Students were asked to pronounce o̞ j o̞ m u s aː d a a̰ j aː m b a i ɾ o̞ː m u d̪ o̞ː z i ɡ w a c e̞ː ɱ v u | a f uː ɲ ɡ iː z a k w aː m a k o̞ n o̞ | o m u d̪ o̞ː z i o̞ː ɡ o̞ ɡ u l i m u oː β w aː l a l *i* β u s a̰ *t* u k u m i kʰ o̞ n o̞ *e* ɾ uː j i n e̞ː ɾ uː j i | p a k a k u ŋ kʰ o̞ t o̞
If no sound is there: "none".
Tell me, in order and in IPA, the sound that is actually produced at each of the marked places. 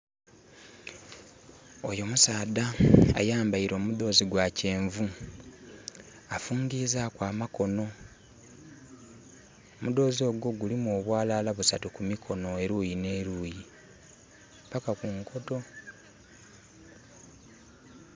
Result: a, t, e

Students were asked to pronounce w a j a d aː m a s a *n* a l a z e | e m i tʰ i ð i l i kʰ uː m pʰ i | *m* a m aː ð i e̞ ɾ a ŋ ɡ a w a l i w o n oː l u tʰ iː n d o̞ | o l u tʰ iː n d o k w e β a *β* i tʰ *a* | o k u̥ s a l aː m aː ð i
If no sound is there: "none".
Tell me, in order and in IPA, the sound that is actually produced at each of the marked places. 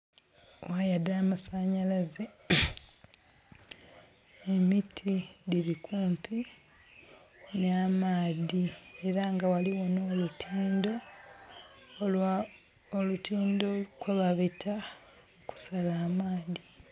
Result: ɲ, n, β, a

